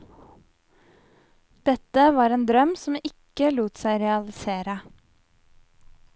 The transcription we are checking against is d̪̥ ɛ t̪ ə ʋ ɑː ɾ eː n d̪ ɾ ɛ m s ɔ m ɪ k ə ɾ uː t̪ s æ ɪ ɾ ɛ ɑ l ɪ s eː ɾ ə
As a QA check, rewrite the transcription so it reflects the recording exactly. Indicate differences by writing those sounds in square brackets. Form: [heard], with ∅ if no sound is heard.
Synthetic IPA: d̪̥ ɛ t̪ ə ʋ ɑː ɾ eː n d̪ ɾ [œ] m s ɔ m ɪ k ə [l] uː t̪ s æ ɪ ɾ ɛ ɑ l ɪ s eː ɾ ə